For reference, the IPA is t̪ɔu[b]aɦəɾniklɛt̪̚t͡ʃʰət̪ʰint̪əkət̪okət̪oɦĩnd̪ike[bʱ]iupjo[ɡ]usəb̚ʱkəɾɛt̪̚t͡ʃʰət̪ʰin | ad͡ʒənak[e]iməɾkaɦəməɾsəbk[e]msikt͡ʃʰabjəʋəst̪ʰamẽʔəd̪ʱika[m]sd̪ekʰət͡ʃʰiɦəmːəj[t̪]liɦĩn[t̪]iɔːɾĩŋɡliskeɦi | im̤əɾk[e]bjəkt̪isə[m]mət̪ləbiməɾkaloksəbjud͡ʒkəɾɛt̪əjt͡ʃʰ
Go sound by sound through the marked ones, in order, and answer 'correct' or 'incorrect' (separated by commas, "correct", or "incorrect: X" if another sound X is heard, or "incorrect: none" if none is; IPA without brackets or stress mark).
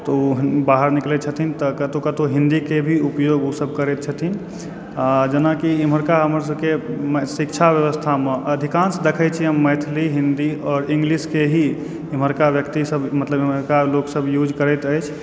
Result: correct, correct, correct, incorrect: i, correct, incorrect: n, incorrect: t̪ʰ, incorrect: d̪, incorrect: a, incorrect: b